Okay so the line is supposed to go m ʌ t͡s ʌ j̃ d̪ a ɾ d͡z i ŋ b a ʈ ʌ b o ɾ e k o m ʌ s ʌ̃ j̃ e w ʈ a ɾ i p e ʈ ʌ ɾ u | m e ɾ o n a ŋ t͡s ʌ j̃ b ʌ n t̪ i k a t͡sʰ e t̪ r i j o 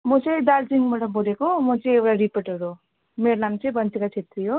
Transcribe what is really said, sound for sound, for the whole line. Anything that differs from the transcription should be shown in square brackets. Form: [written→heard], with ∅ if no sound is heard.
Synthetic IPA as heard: m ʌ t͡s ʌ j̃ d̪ a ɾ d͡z i ŋ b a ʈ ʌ b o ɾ e k o m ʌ [s→t͡s] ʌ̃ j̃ e w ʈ a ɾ i p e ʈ ʌ ɾ u | m e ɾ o n a [ŋ→m] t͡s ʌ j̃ b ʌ n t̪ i k a t͡sʰ e t̪ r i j o